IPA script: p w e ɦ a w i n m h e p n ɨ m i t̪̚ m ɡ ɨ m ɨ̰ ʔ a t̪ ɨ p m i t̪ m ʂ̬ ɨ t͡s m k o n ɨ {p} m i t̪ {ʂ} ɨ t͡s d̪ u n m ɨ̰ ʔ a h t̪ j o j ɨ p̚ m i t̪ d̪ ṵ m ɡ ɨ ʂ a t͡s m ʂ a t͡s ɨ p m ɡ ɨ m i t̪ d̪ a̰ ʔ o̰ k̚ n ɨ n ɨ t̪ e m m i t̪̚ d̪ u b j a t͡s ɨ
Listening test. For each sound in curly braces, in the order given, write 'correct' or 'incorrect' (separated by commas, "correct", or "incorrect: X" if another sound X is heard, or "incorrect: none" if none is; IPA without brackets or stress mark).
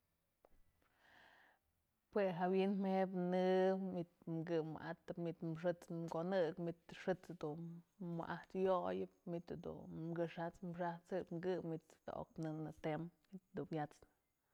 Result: incorrect: k, correct